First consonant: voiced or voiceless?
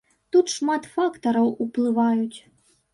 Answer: voiceless